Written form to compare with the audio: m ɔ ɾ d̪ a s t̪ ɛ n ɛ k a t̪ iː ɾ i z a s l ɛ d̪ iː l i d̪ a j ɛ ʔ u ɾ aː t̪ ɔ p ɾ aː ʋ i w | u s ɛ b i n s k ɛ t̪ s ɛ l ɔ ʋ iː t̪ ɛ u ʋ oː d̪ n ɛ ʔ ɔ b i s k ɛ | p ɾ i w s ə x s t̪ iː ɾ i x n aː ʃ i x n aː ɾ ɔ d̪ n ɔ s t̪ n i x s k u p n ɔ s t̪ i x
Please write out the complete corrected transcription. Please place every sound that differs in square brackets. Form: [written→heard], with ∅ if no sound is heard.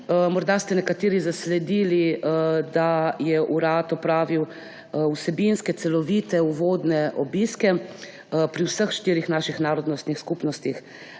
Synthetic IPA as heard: m ɔ ɾ d̪ a s t̪ ɛ n ɛ k a t̪ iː ɾ i z a s l ɛ d̪ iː l i d̪ a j ɛ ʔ u ɾ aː t̪ ɔ p ɾ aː ʋ i w | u s ɛ b i n s k ɛ t̪ s ɛ l ɔ ʋ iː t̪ ɛ u ʋ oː d̪ n ɛ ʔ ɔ b i s k ɛ | p ɾ i w s ə x [s→ʃ] t̪ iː ɾ i x n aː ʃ i x n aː ɾ ɔ d̪ n ɔ s t̪ n i x s k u p n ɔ s t̪ i x